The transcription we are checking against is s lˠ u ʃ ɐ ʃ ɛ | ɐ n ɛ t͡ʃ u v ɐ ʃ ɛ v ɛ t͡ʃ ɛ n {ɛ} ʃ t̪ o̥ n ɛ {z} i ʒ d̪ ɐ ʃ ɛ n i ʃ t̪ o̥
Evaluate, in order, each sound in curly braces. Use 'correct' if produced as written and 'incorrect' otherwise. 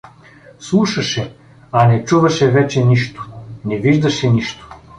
incorrect: i, incorrect: v

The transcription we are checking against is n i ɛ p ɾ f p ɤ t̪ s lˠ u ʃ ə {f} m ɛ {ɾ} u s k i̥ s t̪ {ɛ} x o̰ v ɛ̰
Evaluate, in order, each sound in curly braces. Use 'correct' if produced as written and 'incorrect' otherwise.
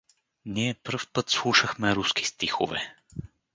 incorrect: x, correct, incorrect: i

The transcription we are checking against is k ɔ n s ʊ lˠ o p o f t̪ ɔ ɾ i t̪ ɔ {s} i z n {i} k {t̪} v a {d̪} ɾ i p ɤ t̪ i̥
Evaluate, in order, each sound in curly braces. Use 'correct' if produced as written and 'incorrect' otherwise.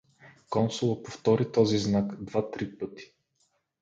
incorrect: z, incorrect: a, incorrect: d̪, incorrect: t̪

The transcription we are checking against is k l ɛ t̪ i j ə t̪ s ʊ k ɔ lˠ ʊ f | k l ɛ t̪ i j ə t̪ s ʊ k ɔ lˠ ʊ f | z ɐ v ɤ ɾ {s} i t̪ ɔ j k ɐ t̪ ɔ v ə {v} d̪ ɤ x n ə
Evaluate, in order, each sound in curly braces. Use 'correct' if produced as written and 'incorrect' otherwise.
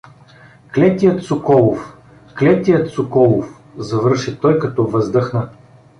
incorrect: ʃ, incorrect: z

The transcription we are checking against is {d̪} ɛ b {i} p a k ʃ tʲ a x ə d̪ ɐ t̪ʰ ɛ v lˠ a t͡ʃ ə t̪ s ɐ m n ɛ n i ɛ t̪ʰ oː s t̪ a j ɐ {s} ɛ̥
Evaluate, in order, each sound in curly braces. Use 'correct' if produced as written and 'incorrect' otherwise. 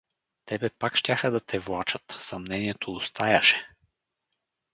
incorrect: t̪, incorrect: ɛ, incorrect: ʃ

